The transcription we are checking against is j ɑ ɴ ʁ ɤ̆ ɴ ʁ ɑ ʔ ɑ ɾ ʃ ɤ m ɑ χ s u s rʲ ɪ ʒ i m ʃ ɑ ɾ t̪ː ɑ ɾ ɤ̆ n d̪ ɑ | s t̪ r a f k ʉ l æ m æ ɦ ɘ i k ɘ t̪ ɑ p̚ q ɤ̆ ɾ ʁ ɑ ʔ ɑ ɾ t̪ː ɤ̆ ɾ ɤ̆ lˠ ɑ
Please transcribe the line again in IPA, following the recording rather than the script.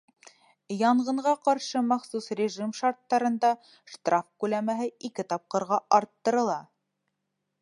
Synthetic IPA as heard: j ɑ ɴ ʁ ɤ̆ ɴ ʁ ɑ q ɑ ɾ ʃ ɤ m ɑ χ s u s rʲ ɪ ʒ i m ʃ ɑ ɾ t̪ː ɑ ɾ ɤ̆ n d̪ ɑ | ʃ t̪ r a f k ʉ l æ m æ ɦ ɘ i k ɘ t̪ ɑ p̚ q ɤ̆ ɾ ʁ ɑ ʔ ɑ ɾ t̪ː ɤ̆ ɾ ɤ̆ lˠ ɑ

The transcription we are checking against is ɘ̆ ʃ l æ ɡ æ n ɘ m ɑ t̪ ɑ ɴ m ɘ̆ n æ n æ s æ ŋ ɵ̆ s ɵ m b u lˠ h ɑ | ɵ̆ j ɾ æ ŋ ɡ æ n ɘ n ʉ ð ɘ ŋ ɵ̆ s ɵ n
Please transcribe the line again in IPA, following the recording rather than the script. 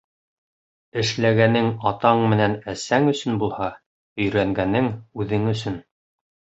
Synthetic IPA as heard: ɘ̆ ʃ l æ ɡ æ n ɘ ŋ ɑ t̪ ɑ ɴ m ɘ̆ n æ n æ s æ ŋ ɵ̆ s ɵ n b u lˠ h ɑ | ɵ̆ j ɾ æ ŋ ɡ æ n ɘ ŋ ʉ ð ɘ ŋ ɵ̆ s ɵ n

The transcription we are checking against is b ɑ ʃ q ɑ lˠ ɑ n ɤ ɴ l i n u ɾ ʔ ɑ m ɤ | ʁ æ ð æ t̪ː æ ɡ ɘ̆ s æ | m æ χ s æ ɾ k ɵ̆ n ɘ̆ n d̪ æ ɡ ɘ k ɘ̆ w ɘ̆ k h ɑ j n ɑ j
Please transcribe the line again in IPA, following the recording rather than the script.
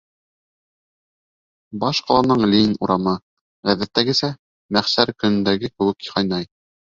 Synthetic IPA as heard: b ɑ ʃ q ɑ lˠ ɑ n ɤ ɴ l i n u ɾ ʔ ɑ m ɤ | ʁ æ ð æ t̪ː æ ɡ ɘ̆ s æ | m æ χ s æ ɾ k ɵ̆ n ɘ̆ n d̪ æ ɡ ɘ k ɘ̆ w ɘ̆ k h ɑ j n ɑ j

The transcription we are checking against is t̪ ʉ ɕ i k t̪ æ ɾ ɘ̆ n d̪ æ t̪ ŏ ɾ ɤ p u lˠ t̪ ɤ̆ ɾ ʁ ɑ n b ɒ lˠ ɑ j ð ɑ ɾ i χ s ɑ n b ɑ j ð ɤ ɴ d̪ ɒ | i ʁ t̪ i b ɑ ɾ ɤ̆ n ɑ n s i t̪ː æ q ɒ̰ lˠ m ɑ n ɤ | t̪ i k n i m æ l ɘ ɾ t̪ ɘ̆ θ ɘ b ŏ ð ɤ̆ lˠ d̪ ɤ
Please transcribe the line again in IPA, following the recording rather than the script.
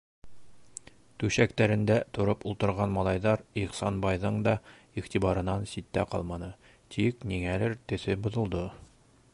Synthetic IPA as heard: t̪ ʉ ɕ æ k t̪ æ ɾ ɘ̆ n d̪ æ t̪ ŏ ɾ ɤ p u lˠ t̪ ɤ̆ ɾ ʁ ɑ n m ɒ lˠ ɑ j ð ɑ ɾ i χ s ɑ n b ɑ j ð ɤ ɴ d̪ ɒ | i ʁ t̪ i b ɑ ɾ ɤ̆ n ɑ n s i t̪ː æ q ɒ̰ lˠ m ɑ n ɤ | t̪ i k n i ŋ æ l ɘ ɾ t̪ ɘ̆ θ ɘ b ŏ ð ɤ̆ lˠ d̪ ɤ

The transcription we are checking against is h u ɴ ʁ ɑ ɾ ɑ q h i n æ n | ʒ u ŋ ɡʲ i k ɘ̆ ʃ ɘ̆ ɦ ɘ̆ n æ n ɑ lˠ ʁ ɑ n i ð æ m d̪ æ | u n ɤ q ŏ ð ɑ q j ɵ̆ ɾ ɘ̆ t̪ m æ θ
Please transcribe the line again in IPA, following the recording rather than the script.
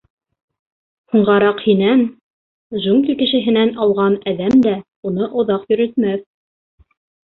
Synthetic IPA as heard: h u ɴ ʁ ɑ ɾ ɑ q h i n æ n | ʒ u ŋ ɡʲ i k ɘ̆ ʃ ɘ̆ ɦ ɘ̆ n æ n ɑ lˠ ʁ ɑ n æ ð æ m d̪ æ | u n ɤ ʔ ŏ ð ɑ q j ɵ̆ ɾ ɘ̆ t̪ m æ θ

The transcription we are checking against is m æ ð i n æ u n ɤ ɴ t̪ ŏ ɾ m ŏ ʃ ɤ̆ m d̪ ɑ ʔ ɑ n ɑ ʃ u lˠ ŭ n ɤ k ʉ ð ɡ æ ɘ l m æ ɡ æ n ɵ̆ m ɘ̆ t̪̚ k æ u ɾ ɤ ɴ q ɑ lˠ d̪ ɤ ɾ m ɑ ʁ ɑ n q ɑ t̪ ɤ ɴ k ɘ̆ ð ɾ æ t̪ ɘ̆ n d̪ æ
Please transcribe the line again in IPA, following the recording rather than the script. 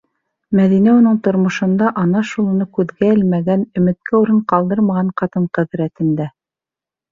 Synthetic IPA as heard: m æ ð i n æ u n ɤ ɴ t̪ ŏ ɾ m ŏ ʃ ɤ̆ n d̪ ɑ ʔ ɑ n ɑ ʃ u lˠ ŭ n ɤ k ʉ ð ɡ æ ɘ l m æ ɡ æ n ɵ̆ m ɘ̆ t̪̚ k æ u ɾ ɤ ɴ q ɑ lˠ d̪ ɤ ɾ m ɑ ʁ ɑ ɴ q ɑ t̪ ɤ ɴ q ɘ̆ ð ɾ æ t̪ ɘ̆ n d̪ æ

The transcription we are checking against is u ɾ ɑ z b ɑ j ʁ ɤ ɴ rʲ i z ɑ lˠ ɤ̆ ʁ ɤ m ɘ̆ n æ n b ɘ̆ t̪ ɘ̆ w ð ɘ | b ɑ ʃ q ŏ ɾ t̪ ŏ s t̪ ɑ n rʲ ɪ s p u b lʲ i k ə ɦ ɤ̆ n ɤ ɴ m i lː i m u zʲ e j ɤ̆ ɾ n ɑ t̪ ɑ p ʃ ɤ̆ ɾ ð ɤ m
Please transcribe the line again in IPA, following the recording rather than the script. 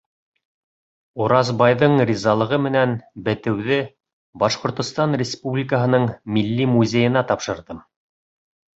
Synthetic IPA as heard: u ɾ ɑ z b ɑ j ð ɤ ɴ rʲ i z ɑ lˠ ɤ̆ ʁ ɤ m ɘ̆ n æ n b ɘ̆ t̪ ɘ̆ w ð ɘ | b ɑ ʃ q ŏ ɾ t̪ ŏ s t̪ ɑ n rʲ ɪ s p u b lʲ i k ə ɦ ɤ̆ n ɤ ɴ m i lː i m u zʲ e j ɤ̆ n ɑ t̪ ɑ p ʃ ɤ̆ ɾ ð ɤ m

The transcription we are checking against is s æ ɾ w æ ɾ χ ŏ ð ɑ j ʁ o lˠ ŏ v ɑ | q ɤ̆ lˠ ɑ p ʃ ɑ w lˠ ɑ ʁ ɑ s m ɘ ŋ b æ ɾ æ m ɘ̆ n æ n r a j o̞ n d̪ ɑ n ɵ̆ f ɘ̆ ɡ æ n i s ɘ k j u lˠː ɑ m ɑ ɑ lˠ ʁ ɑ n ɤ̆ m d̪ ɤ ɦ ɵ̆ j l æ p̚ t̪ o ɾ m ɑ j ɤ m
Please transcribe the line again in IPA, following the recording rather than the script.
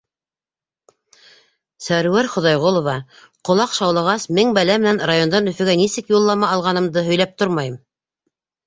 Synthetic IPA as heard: s æ ɾ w æ ɾ χ ŏ ð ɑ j ʁ o lˠ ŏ v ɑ | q ŏ lˠ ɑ q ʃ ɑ w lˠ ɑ ʁ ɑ s m ɘ ŋ b æ l æ m ɘ̆ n æ n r a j o̞ n d̪ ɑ n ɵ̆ f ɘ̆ ɡ æ n i s ɘ k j u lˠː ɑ m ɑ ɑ lˠ ʁ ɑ n ɤ̆ m d̪ ɤ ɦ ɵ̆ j l æ p̚ t̪ o ɾ m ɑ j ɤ m

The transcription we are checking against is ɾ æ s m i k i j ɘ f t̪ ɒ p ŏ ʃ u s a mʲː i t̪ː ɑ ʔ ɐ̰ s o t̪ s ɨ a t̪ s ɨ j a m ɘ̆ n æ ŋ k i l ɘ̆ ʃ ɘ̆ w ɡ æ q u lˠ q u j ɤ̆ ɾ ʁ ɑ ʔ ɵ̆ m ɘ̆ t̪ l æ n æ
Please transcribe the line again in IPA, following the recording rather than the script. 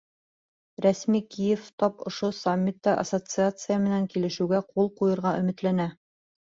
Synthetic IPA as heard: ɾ æ s m i k i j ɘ f t̪ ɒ p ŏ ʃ o s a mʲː i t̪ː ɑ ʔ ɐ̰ s o t̪ s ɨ a t̪ s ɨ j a m ɘ̆ n æ ŋ k i l ɘ̆ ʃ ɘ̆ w ɡ æ q u lˠ q u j ɤ̆ ɾ ʁ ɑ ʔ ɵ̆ m ɘ̆ t̪ l æ n æ

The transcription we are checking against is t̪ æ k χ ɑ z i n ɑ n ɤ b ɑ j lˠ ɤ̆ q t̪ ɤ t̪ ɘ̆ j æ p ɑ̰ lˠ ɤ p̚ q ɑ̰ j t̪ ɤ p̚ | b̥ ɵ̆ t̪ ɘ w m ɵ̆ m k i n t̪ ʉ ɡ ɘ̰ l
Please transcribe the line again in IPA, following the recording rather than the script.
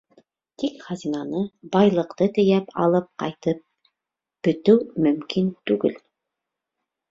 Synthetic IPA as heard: t̪ i k χ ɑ z i n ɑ n ɤ b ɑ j lˠ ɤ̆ q t̪ ɤ t̪ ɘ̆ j æ p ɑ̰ lˠ ɤ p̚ q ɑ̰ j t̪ ɤ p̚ | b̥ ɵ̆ t̪ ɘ w m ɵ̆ m k i n t̪ ʉ ɡ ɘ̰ l

